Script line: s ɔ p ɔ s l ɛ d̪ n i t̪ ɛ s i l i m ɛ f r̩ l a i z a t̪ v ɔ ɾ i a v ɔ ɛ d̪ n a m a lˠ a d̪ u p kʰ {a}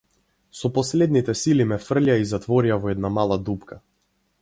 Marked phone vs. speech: correct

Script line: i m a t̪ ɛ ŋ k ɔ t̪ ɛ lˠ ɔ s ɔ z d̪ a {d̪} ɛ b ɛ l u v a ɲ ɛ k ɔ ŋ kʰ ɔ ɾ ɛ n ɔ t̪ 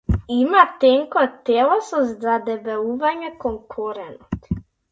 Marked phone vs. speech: correct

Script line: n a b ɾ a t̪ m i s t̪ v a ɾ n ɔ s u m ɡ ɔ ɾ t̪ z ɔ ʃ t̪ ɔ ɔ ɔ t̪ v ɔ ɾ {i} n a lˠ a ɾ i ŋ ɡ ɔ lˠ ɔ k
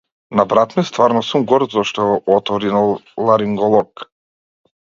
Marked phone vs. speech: correct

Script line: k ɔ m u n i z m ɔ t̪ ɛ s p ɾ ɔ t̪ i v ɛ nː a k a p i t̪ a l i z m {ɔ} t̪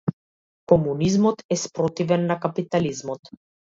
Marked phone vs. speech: correct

